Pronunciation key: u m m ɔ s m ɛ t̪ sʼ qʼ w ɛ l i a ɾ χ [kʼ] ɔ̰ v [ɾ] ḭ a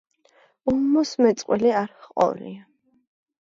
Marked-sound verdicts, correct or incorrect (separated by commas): incorrect, incorrect